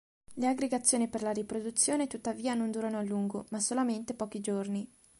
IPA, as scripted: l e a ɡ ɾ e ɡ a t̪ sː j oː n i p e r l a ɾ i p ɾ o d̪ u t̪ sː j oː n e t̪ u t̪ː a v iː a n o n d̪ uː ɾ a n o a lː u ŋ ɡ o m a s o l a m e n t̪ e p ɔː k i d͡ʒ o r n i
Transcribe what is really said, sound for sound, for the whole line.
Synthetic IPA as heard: l e a ɡ ɾ e ɡ a t̪ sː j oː n i p e r l a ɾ i p ɾ o d̪ u t̪ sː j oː n e t̪ u t̪ː a v iː a n o n d̪ uː ɾ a n o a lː u ŋ ɡ o m a s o l a m e n t̪ e p ɔː k i d͡ʒ o r n i